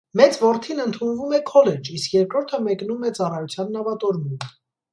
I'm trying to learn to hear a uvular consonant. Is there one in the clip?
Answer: no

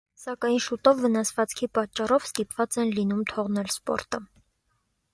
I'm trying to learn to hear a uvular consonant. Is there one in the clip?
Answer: yes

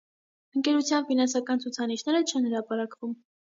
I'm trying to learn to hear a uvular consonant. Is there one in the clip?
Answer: no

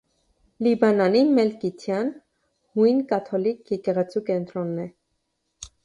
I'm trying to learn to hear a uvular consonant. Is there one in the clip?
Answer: yes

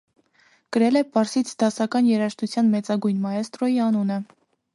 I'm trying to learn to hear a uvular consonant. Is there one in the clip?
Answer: no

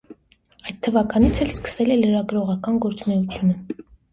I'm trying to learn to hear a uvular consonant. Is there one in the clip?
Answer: yes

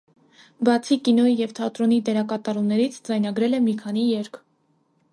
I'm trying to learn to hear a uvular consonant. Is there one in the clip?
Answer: no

